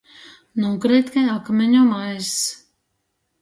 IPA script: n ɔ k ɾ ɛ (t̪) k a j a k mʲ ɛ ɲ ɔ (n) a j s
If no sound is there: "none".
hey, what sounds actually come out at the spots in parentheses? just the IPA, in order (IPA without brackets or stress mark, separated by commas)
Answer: t̪, m